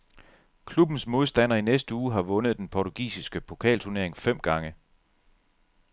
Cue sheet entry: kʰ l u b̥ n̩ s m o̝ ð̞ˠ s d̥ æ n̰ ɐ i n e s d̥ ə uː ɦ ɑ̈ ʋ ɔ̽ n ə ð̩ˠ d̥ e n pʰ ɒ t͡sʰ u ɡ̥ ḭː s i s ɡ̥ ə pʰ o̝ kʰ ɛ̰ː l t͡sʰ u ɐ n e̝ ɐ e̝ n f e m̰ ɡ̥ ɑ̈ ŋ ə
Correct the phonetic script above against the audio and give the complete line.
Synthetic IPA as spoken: kʰ l u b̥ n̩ s m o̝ ð̞ˠ s d̥ æ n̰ ɐ i n e s d̥ ə uː ɦ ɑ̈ ʋ ɔ̽ n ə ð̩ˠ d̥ e n pʰ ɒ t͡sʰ u ɡ̥ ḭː s i s ɡ̥ ə pʰ o̝ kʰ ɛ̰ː l t͡sʰ u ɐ n e̝ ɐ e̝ ŋ f e m̰ ɡ̥ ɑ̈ ŋ ə